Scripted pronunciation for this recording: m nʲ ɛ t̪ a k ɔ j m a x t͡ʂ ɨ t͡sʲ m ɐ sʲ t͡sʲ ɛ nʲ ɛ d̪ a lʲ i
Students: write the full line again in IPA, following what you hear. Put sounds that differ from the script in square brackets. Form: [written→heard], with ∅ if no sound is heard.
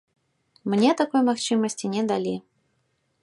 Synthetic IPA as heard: m nʲ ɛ t̪ a k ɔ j m a x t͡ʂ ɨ [t͡sʲ→∅] m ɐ sʲ t͡sʲ [ɛ→i] nʲ ɛ d̪ a lʲ i